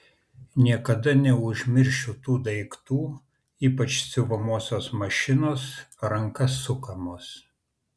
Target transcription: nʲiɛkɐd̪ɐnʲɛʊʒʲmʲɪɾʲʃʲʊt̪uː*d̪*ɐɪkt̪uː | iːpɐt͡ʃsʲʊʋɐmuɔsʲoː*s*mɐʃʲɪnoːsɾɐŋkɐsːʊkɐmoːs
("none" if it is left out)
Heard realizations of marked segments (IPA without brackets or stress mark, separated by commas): d̪, s